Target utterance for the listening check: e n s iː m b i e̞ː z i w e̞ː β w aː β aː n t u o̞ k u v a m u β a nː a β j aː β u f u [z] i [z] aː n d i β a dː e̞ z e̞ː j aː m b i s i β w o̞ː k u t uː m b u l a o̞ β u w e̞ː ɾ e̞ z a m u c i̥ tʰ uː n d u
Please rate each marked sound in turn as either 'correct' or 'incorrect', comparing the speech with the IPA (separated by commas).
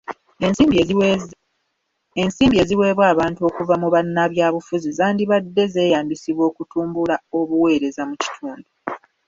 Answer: correct, correct